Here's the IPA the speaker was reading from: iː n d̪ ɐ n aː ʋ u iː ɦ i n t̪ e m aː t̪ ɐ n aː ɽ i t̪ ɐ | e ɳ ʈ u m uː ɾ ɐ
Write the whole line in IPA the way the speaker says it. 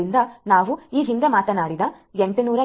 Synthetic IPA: i n d̪ ɐ n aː ʋ u iː ɦ i n d̪ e m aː t̪ ɐ n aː ɽ i d̪ ɐ | e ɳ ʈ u n uː ɾ ɐ